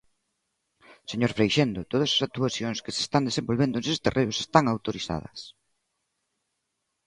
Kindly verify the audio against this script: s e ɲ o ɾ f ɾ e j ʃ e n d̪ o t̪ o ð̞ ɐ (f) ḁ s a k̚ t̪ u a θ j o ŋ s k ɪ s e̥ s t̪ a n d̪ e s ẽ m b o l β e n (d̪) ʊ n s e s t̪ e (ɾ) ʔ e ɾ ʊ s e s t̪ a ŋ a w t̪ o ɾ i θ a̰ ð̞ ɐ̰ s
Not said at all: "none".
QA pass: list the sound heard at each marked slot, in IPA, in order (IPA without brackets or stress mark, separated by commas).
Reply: s, d̪, r